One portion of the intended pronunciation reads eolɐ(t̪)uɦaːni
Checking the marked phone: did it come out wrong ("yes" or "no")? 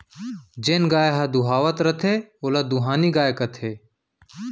yes